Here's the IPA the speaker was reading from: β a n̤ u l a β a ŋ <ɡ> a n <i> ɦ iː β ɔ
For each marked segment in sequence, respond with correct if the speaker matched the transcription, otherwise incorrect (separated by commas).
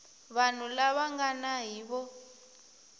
correct, incorrect